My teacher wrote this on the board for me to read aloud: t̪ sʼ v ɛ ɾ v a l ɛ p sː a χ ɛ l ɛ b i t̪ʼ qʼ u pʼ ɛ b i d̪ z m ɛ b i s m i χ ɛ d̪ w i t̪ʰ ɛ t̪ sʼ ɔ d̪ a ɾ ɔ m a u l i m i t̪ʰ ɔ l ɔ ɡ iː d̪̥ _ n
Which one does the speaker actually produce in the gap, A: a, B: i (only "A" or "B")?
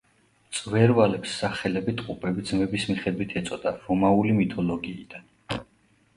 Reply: A